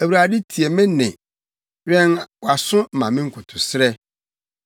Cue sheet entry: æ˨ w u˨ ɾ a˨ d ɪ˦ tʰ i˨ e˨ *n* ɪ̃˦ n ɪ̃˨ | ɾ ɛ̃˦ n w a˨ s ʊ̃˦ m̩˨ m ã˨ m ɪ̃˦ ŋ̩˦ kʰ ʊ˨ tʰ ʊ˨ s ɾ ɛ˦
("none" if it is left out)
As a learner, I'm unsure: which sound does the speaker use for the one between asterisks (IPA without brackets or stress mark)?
m